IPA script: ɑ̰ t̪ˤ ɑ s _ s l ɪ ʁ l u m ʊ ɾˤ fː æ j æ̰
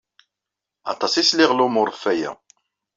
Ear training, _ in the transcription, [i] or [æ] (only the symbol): i